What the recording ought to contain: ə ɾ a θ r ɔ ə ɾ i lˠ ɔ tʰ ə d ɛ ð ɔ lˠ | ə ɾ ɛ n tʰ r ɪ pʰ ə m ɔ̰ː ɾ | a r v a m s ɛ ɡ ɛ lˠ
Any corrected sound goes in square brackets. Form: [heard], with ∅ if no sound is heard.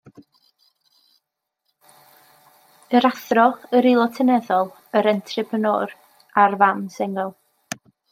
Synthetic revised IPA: ə ɾ a θ r ɔ ə ɾ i lˠ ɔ tʰ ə [n] ɛ ð ɔ lˠ | ə ɾ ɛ n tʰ r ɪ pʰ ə [n] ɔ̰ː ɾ | a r v a m s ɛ [ŋ] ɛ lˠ